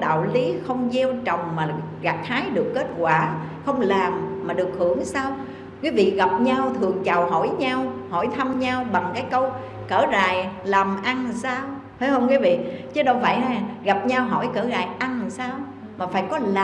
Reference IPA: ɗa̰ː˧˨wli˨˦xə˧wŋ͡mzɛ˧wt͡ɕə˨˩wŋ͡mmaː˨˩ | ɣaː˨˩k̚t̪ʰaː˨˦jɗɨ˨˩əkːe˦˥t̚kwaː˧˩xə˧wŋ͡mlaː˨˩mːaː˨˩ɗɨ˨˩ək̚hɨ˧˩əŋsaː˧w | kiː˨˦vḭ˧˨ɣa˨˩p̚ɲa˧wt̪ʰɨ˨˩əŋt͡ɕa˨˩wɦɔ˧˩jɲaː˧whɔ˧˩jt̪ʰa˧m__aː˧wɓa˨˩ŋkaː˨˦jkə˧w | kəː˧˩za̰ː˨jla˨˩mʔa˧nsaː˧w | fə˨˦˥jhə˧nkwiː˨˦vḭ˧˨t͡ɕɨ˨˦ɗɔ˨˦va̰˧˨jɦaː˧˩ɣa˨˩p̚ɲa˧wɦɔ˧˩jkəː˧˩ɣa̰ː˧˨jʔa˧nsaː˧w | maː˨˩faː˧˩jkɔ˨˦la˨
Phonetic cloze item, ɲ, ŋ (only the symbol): ɲ